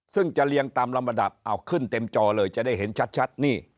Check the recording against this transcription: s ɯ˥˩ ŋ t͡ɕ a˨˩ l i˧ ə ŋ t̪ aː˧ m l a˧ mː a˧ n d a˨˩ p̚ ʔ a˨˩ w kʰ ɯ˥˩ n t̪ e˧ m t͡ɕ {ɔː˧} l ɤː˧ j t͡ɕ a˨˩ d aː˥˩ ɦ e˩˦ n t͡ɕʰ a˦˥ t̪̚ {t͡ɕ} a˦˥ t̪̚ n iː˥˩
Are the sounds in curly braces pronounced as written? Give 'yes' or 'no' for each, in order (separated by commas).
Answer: yes, no